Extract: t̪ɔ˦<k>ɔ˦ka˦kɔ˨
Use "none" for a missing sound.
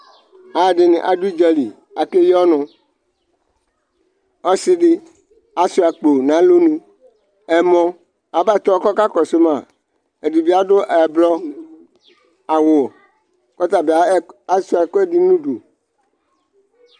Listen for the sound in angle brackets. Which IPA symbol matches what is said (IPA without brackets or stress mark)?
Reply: k